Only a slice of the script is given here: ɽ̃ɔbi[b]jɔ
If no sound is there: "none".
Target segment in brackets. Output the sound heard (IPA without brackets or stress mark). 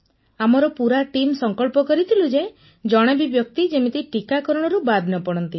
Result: b